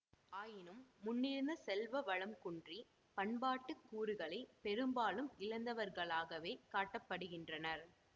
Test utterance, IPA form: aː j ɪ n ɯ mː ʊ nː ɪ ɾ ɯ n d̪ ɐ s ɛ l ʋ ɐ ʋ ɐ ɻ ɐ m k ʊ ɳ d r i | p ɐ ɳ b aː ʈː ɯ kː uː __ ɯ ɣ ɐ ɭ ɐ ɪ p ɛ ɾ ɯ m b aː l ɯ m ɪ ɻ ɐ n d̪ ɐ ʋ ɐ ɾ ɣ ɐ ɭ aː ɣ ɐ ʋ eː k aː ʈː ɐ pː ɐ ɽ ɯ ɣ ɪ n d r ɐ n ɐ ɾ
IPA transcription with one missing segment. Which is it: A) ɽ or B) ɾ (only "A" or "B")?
B